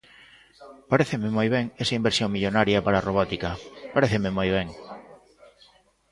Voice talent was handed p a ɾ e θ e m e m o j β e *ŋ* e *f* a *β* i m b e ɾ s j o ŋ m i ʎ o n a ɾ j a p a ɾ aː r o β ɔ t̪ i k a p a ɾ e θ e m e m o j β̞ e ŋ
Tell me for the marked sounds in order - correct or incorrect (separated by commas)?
correct, incorrect, incorrect